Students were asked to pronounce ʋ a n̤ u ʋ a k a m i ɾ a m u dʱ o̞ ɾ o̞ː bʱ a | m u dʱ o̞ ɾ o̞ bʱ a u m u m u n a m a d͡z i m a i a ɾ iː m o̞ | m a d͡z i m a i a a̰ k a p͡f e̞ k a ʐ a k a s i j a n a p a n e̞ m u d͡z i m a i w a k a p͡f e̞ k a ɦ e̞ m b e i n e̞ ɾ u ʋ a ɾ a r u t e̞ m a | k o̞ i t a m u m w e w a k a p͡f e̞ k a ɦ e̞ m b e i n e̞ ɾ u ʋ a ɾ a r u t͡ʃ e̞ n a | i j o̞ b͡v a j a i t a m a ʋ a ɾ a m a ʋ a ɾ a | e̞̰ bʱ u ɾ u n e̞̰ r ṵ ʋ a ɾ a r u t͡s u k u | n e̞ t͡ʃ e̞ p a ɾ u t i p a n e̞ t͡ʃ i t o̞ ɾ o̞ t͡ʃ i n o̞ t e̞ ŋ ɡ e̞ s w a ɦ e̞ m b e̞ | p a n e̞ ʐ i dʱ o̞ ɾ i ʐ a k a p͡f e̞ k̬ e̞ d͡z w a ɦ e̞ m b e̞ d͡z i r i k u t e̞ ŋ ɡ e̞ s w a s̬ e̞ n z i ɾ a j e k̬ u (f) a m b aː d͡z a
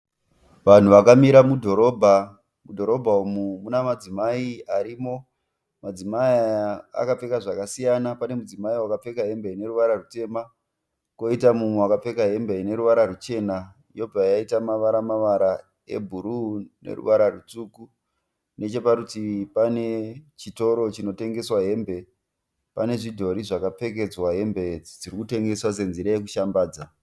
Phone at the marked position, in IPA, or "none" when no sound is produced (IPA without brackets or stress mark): ʃ